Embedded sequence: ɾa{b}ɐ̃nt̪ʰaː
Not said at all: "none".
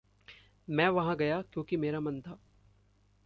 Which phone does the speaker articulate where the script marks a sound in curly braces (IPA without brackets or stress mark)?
m